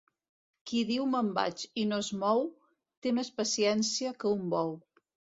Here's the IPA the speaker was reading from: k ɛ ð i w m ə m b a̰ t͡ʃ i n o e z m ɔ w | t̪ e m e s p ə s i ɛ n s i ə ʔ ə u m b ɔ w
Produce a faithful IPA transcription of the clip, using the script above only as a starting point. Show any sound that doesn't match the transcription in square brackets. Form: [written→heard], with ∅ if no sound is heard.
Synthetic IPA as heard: k [ɛ→i] ð i w m ə m b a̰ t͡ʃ i n o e z m ɔ w | t̪ e m e s p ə s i ɛ n s i ə [ʔ→k] ə u m b ɔ w